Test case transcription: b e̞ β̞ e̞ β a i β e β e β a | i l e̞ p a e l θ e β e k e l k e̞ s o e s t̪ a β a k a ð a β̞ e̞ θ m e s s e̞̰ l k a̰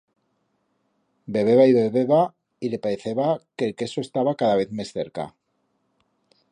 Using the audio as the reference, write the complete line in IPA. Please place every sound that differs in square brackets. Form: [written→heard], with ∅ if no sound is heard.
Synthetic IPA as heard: b e̞ β̞ e̞ β a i β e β e β a | i l e̞ p a e [l→∅] θ e β [e→a] k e l k e̞ s o e s t̪ a β a k a ð a β̞ e̞ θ m e s [s→θ] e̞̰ [l→ɾ] k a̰